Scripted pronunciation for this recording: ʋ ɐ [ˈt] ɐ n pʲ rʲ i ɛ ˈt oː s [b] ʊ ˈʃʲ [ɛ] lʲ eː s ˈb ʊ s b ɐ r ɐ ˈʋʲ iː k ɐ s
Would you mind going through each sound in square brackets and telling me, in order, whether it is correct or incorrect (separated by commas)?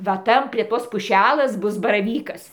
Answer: correct, incorrect, incorrect